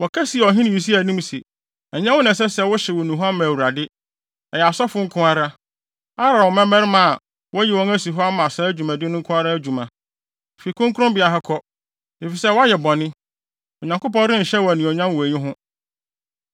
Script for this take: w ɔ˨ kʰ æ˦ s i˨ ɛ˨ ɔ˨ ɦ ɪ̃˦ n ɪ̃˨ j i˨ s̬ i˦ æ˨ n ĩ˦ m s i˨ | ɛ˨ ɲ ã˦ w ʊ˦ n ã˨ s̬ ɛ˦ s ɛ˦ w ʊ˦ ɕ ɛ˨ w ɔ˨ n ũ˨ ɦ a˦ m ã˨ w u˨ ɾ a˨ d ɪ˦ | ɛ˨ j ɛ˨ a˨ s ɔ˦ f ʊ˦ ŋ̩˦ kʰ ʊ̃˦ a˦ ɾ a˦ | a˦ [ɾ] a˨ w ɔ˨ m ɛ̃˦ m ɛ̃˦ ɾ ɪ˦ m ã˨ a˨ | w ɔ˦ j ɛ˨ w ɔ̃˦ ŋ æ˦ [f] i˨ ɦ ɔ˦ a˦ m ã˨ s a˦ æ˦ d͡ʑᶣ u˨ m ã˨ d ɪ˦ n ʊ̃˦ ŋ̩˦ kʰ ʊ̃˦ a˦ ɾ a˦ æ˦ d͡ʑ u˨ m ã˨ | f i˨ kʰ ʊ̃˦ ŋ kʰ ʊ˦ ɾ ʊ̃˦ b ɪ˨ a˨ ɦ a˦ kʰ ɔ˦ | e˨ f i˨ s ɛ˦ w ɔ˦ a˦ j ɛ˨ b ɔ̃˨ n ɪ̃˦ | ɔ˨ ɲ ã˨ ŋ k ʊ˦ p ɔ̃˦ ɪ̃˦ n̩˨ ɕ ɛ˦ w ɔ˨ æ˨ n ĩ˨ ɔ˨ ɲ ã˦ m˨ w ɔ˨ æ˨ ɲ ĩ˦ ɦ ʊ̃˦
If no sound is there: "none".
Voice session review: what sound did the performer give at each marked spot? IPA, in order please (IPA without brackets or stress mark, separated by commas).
ɾ, s